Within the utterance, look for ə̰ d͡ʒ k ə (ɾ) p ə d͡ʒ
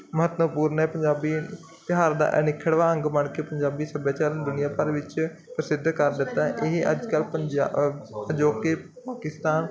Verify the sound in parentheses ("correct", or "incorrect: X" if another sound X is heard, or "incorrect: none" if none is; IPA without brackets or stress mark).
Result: incorrect: l